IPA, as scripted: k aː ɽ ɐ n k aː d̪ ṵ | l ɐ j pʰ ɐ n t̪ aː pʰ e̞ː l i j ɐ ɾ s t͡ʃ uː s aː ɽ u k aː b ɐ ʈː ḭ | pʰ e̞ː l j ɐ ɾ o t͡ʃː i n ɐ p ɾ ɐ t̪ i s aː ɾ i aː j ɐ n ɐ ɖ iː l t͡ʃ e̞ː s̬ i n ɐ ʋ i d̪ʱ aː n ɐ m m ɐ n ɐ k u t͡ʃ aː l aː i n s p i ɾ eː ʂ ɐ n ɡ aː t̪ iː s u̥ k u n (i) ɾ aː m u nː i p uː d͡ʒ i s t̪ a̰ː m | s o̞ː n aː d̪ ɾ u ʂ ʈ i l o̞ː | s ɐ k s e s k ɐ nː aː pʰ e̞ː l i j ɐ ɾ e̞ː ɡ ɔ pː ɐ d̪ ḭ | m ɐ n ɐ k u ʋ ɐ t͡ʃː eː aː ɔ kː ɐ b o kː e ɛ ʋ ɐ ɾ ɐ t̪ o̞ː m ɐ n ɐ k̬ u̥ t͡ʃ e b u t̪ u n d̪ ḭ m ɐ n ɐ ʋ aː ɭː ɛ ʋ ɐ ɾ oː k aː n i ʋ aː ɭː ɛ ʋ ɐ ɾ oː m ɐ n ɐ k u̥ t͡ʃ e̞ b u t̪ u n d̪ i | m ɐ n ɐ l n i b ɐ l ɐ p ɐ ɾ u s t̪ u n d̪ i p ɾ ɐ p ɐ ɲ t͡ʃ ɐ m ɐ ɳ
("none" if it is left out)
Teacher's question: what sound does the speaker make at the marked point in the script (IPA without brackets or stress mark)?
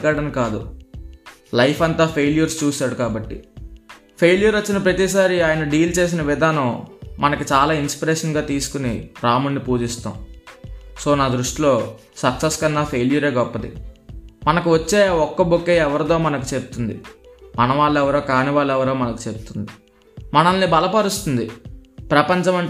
i